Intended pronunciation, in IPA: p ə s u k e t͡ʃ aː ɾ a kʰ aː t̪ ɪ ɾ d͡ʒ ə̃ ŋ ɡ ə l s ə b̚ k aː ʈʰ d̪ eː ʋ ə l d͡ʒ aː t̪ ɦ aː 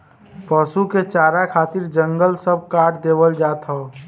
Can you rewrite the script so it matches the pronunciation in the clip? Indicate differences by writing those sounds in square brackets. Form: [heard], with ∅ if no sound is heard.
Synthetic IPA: p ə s u k e t͡ʃ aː ɾ a kʰ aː t̪ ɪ ɾ d͡ʒ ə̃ ŋ ɡ ə l s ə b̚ k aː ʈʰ d̪ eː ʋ ə l d͡ʒ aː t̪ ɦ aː